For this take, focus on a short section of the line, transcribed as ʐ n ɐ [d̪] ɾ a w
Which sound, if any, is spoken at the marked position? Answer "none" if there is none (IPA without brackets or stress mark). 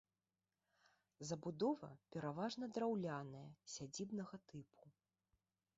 d̪